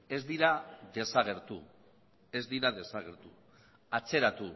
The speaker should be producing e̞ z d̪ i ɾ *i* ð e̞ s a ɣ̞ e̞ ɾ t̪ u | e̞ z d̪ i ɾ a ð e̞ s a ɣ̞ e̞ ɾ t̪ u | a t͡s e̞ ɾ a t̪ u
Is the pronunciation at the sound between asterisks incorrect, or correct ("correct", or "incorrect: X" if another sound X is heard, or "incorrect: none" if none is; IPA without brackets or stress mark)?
incorrect: a